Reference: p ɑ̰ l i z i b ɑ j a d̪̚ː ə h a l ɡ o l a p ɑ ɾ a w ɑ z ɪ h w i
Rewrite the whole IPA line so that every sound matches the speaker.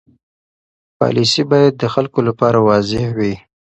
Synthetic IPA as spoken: p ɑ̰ l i s i b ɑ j a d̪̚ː ə x a l k o l a p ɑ ɾ a w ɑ z ɪ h w i